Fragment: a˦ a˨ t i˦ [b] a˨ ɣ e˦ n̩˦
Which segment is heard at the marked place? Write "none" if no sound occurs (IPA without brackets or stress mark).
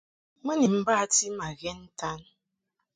m